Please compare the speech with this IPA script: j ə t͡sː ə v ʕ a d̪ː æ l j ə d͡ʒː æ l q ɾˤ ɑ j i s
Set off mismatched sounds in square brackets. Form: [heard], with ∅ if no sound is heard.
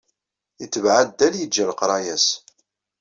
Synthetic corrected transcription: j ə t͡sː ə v ʕ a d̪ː æ l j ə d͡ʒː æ l q ɾˤ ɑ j [æ] s

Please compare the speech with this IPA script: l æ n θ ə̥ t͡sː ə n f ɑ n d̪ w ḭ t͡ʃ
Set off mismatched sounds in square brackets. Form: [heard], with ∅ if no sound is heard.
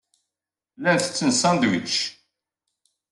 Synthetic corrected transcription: l æ n θ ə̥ t͡sː ə n [s] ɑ n d̪ w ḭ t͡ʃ

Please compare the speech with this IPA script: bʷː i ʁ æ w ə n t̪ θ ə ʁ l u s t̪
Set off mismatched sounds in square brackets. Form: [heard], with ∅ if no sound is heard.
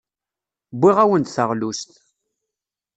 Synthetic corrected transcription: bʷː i ʁ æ w ə n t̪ θ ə ʁ l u s t̪

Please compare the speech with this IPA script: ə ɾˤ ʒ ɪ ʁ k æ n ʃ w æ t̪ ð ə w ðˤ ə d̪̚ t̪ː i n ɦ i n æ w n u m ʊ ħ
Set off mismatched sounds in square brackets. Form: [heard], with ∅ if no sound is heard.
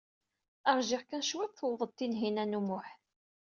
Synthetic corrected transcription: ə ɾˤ ʒ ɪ ʁ k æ n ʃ w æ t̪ [θ] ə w ðˤ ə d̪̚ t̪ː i n ɦ i n æ [∅] n u m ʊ ħ

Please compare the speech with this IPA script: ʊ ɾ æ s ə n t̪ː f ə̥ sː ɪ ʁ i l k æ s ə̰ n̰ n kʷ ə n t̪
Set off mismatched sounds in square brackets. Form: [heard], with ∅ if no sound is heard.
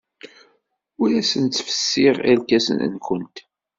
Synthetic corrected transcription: ʊ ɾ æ s ə n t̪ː f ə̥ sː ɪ ʁ [æ] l k æ s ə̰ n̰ n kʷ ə n t̪

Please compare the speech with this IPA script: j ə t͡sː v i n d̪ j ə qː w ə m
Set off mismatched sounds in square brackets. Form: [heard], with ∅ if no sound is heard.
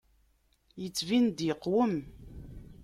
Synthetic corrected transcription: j ə t͡sː v i n d̪ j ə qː w ə m

